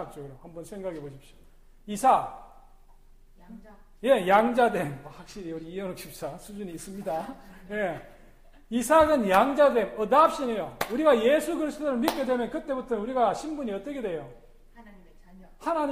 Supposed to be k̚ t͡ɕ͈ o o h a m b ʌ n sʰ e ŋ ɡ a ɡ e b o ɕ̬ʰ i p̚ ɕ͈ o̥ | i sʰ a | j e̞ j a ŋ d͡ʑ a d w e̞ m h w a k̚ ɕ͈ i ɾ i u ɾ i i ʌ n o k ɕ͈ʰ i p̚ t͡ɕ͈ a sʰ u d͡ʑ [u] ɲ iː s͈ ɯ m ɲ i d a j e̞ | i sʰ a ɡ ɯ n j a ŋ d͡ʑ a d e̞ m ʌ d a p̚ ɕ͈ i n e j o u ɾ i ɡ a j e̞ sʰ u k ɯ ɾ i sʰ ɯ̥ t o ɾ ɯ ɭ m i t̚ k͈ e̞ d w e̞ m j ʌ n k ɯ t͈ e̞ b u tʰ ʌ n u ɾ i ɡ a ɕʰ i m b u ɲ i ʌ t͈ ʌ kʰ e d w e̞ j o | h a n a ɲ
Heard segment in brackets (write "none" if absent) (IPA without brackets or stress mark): u